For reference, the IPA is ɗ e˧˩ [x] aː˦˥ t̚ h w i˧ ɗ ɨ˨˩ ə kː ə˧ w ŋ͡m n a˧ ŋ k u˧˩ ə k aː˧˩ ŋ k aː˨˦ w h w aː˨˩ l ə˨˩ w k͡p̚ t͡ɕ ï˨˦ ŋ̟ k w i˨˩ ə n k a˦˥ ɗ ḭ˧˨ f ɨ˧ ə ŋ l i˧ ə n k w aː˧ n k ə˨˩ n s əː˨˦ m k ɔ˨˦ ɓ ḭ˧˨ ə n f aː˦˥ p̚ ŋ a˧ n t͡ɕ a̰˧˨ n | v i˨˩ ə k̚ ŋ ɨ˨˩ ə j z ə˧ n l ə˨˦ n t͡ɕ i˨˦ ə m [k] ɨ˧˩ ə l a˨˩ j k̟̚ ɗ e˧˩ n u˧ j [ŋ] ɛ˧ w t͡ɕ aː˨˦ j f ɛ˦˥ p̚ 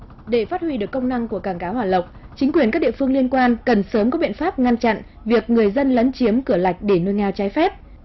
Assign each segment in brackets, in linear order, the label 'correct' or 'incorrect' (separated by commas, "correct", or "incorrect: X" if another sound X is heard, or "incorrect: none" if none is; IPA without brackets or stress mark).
incorrect: f, correct, correct